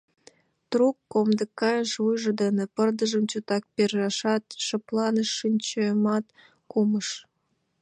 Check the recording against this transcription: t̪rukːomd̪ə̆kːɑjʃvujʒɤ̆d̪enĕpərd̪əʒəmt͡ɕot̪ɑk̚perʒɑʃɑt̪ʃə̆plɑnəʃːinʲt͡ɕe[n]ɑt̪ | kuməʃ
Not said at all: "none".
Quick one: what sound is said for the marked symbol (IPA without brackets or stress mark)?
m